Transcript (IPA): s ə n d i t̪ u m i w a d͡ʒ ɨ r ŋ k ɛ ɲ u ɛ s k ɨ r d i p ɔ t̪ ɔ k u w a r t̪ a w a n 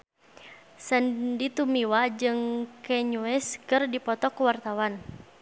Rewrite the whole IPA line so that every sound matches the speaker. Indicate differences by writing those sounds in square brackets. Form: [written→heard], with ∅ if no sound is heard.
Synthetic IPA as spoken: s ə n d i t̪ u m i w a d͡ʒ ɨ [r→∅] ŋ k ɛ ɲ u ɛ s k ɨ r d i p ɔ t̪ ɔ k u w a r t̪ a w a n

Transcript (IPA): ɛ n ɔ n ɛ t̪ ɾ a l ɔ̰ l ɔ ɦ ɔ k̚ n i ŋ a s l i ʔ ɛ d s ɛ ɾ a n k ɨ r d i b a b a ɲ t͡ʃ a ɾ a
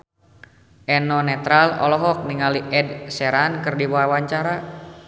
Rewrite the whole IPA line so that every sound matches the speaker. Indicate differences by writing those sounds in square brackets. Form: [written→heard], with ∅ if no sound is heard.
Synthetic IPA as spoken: ɛ n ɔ n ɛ t̪ ɾ a l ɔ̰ l ɔ ɦ ɔ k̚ n i ŋ a [s→∅] l i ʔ ɛ d s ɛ ɾ a n k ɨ r d i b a [b→w] a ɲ t͡ʃ a ɾ a

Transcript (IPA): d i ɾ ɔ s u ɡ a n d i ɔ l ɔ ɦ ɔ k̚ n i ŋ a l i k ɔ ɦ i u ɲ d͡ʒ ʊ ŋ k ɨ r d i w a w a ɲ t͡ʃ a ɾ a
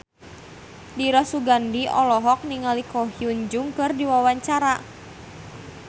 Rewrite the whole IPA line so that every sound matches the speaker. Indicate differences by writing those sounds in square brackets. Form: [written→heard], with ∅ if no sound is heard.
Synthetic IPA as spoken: d i ɾ ɔ s u ɡ a n d i ɔ l ɔ ɦ ɔ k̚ n i ŋ a l i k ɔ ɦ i u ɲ d͡ʒ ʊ ŋ k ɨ r d i w a w a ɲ t͡ʃ a ɾ a

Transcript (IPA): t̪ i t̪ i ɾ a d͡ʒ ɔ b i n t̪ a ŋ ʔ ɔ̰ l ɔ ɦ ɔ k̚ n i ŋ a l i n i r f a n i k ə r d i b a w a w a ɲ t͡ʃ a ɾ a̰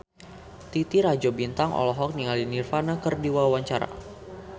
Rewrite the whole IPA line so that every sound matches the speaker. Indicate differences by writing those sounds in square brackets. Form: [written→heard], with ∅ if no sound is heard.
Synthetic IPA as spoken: t̪ i t̪ i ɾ a d͡ʒ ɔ b i n t̪ a ŋ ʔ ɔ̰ l ɔ ɦ ɔ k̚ n i ŋ a l i n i r f a n [i→a] k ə r d i [b→w] a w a w a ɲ t͡ʃ a ɾ a̰

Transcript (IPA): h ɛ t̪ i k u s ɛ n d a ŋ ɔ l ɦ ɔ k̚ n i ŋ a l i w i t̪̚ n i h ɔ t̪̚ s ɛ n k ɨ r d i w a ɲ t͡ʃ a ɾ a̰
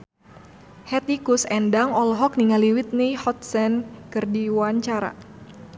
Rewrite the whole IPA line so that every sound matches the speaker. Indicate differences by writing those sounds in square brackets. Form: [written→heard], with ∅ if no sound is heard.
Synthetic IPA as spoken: h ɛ t̪ i k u s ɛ n d a ŋ ɔ l ɦ ɔ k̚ n i ŋ a l i w i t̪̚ n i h ɔ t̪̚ s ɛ n k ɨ r d i w a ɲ t͡ʃ a ɾ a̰

